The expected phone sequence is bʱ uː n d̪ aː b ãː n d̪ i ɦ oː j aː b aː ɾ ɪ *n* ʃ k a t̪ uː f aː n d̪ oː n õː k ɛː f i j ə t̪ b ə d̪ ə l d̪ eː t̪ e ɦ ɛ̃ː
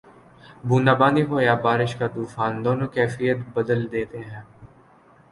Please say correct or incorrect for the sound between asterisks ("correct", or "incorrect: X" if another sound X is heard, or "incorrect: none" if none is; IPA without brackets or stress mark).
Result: incorrect: none